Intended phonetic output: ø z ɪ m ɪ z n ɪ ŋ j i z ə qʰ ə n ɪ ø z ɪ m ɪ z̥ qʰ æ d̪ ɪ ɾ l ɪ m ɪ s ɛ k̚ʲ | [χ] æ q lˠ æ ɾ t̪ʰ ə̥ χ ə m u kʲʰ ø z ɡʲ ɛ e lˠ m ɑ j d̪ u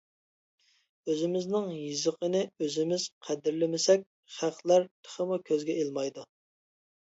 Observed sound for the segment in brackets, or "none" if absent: χ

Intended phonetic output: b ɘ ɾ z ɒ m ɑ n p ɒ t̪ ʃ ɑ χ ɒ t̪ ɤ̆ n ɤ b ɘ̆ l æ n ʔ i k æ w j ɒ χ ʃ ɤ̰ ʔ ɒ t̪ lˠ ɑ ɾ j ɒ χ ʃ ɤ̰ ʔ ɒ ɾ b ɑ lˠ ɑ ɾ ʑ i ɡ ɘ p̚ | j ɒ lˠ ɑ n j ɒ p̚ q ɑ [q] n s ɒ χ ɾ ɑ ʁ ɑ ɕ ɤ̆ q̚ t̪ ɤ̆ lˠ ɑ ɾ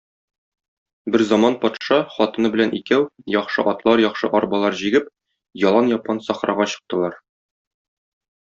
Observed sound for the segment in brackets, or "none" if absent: none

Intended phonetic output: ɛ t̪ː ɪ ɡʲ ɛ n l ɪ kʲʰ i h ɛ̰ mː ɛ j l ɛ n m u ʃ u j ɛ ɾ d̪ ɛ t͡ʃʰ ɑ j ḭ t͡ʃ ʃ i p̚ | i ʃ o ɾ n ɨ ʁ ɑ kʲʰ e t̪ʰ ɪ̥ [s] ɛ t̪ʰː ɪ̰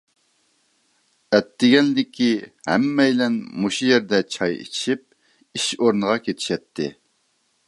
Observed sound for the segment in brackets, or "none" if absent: ʃ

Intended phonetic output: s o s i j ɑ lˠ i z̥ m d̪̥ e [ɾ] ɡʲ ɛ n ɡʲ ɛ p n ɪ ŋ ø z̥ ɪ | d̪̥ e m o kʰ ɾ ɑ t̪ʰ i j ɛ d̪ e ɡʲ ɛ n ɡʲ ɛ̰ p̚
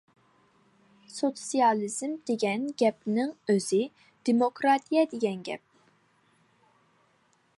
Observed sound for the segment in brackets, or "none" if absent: none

